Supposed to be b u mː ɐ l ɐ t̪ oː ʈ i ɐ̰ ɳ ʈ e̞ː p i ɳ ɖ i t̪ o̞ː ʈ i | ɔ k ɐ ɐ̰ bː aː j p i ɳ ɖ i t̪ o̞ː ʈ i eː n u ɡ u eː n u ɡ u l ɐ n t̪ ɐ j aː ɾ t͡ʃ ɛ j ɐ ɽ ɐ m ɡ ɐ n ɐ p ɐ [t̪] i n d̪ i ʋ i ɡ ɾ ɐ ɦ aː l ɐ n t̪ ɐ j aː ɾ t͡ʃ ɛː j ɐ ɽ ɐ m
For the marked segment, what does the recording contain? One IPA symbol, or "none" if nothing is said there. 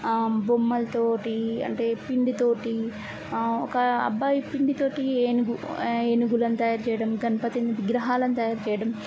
t̪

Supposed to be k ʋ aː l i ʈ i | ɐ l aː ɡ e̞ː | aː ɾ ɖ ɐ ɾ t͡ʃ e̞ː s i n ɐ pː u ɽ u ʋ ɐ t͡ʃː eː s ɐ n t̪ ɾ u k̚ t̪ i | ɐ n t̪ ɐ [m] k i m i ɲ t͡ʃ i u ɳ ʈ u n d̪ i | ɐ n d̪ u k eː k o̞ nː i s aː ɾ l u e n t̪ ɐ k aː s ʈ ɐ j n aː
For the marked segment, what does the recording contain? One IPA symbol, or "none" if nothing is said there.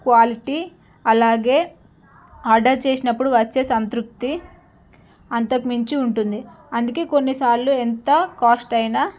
none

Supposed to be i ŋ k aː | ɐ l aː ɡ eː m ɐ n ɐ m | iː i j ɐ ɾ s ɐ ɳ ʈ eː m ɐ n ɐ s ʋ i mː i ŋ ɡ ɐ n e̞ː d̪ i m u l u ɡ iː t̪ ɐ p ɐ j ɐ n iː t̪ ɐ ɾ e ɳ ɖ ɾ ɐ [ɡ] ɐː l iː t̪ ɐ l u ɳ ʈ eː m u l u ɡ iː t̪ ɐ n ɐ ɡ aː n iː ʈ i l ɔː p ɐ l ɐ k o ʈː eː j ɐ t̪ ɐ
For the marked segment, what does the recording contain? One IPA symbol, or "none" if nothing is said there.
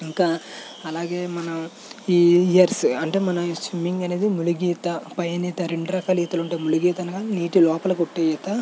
k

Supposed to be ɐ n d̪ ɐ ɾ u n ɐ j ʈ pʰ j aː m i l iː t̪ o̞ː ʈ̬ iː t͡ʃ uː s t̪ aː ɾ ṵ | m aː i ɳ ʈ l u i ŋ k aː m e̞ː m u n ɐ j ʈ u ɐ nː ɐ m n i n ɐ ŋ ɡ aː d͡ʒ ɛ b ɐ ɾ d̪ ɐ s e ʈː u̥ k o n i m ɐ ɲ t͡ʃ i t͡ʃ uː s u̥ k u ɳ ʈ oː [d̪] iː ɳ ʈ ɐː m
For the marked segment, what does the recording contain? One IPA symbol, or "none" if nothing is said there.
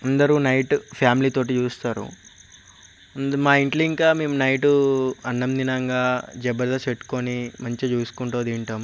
d̪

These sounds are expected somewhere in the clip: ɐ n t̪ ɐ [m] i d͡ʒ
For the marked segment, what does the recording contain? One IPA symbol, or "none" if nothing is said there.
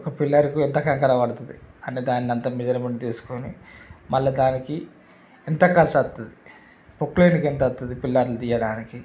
m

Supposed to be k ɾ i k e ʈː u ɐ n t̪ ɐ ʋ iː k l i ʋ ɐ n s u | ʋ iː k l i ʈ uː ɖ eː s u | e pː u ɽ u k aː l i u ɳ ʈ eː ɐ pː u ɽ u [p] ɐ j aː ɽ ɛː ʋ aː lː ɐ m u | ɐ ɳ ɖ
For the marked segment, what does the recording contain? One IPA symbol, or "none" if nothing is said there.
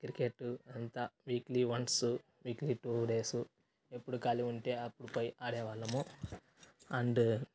p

